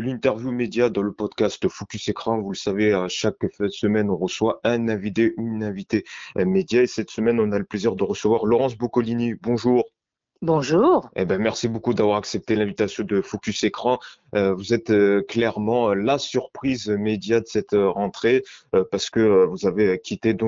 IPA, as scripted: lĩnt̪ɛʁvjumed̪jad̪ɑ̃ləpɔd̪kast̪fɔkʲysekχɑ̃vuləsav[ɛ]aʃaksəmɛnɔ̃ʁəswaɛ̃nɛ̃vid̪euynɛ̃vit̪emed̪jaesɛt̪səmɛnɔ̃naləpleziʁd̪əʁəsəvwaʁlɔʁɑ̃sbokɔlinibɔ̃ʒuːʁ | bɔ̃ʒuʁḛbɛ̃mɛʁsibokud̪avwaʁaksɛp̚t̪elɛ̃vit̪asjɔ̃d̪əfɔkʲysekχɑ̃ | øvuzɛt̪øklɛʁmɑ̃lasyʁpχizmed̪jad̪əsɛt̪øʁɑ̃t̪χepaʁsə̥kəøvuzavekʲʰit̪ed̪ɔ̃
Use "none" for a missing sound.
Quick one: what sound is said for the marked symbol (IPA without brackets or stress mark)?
e